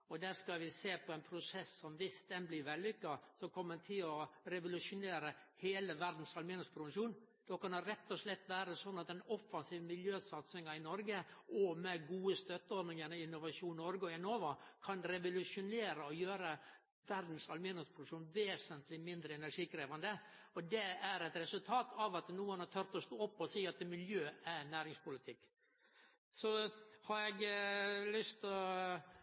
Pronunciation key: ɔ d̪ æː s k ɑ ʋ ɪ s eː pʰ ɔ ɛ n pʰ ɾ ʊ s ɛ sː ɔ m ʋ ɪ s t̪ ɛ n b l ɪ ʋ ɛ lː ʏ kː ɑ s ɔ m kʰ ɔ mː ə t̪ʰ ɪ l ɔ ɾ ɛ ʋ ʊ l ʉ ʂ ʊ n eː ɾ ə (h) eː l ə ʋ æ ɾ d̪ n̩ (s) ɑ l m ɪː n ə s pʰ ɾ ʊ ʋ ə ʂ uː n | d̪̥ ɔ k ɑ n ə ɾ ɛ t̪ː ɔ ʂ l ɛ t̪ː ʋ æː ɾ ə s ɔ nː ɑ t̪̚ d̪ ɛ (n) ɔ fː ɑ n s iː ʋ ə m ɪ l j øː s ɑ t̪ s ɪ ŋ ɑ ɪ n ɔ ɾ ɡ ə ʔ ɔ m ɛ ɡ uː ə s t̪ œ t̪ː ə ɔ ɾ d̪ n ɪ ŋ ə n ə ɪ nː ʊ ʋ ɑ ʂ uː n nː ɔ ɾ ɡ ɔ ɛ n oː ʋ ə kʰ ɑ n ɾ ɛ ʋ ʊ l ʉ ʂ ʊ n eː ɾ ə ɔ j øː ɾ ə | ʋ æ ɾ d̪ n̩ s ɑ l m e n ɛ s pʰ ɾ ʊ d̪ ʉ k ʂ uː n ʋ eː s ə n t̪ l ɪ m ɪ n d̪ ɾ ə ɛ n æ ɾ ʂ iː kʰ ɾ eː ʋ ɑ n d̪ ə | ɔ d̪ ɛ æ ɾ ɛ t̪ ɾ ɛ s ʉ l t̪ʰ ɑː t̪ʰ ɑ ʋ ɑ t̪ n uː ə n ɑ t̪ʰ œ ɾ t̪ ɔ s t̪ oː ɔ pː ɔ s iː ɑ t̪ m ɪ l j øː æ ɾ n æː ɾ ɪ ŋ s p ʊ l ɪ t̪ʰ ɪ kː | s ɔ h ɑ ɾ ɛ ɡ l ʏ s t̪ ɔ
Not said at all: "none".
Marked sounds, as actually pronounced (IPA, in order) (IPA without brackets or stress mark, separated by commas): h, s, n